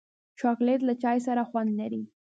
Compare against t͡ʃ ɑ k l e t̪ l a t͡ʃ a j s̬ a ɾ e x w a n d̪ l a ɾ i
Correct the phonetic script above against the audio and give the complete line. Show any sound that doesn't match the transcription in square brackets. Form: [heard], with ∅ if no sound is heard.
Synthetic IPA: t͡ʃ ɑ k l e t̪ l a t͡ʃ [ɑ] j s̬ a ɾ [a] x w a n d̪ l a ɾ i